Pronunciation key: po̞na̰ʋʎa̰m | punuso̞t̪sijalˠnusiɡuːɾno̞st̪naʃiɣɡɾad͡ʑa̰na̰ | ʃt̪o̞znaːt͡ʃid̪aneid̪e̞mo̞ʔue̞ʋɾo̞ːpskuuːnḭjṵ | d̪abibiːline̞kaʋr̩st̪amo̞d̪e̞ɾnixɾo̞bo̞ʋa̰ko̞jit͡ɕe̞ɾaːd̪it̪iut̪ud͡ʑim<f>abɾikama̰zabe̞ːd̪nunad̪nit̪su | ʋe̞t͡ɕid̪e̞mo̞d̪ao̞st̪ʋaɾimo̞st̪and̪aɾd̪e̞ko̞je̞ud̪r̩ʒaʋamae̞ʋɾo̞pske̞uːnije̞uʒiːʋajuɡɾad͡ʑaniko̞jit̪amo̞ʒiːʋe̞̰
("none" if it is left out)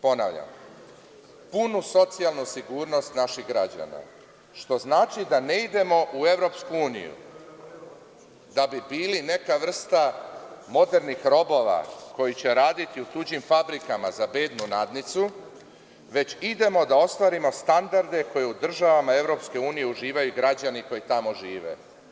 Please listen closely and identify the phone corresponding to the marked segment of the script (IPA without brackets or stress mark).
f